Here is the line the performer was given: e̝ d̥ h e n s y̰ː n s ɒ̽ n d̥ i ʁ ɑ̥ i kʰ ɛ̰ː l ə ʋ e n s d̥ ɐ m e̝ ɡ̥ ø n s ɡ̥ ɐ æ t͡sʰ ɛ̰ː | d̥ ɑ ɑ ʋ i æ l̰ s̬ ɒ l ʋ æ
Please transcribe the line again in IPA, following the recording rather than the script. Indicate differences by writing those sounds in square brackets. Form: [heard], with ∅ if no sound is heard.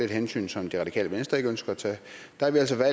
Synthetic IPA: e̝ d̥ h e n s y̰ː n s ɒ̽ [m] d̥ i ʁ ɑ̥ i kʰ ɛ̰ː l ə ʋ e n s d̥ ɐ [∅] e̝ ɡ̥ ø n s ɡ̥ ɐ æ t͡sʰ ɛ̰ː | d̥ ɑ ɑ ʋ i æ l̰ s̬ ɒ [∅] ʋ æ